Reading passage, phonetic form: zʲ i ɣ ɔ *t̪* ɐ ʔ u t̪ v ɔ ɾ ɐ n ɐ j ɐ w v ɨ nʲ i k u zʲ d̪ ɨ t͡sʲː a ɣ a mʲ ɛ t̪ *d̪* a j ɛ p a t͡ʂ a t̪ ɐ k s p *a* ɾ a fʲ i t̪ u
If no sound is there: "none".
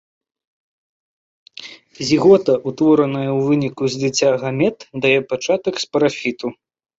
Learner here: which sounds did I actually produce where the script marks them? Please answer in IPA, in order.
t̪, d̪, ɐ

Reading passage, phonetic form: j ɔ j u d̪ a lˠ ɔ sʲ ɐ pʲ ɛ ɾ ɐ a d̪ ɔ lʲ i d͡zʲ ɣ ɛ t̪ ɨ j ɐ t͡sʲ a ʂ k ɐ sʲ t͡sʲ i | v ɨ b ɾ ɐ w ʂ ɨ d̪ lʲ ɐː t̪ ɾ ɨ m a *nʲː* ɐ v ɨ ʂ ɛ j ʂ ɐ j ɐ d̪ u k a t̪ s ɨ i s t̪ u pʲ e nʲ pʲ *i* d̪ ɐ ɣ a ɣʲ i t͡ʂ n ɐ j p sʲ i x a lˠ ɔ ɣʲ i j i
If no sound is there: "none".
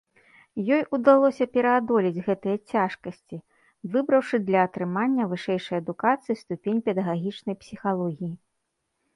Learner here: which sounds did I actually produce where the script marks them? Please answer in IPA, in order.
nʲː, ɛ

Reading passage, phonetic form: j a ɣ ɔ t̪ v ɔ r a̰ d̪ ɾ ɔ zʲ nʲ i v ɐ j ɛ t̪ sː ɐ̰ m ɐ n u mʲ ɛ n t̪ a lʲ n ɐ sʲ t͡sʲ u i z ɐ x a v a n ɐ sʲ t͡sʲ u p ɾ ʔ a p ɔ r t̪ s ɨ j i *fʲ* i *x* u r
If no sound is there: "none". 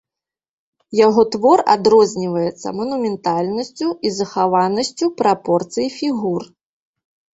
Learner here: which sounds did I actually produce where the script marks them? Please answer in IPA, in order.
fʲ, ɣ

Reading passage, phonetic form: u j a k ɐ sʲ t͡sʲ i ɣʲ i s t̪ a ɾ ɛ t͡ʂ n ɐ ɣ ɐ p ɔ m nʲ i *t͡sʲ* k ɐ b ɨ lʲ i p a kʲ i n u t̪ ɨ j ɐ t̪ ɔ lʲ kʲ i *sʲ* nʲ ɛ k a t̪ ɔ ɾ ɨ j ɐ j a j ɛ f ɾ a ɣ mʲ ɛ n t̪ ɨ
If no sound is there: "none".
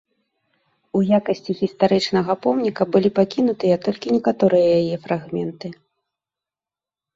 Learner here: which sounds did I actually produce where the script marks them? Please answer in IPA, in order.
none, none

